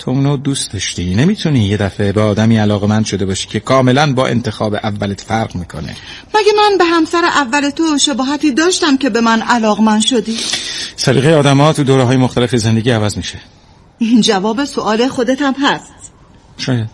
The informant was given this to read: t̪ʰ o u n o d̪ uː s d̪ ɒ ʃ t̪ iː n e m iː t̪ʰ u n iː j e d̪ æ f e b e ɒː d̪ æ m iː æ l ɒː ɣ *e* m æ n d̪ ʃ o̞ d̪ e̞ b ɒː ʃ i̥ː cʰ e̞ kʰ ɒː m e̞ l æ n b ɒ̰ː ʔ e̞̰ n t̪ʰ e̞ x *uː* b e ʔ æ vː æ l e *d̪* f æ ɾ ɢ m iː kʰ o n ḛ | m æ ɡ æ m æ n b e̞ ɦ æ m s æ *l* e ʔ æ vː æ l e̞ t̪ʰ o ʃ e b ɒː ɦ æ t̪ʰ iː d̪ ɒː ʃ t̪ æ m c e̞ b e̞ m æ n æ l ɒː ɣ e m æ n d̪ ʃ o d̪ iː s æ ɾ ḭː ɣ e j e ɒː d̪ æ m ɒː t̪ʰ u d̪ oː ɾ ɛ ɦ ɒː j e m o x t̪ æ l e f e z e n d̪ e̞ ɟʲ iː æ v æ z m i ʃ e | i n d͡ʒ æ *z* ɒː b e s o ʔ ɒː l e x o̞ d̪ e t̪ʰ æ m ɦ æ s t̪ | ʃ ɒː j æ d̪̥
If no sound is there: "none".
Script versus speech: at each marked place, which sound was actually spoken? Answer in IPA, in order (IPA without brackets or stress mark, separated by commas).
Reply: e, ɒː, t̪, ɾ, v